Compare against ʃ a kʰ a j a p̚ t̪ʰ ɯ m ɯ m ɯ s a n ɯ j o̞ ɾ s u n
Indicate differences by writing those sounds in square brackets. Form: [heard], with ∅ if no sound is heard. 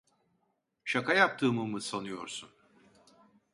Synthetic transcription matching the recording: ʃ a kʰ a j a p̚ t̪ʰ [ɯː] m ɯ m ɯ s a n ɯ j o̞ ɾ s u n